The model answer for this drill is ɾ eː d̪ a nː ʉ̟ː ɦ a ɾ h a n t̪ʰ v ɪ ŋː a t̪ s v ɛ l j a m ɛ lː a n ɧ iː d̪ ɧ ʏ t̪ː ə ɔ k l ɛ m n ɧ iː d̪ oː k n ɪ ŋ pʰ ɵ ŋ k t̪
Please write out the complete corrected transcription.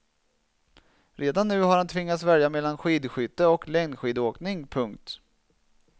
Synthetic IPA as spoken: ɾ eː d̪ a nː ʉ̟ː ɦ a ɾ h a n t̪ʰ v ɪ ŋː a t̪ s v ɛ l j a m ɛ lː a n ɧ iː d̪ ɧ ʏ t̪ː ə ɔ k l ɛ ŋ n ɧ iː d̪ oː k n ɪ ŋ pʰ ɵ ŋ k t̪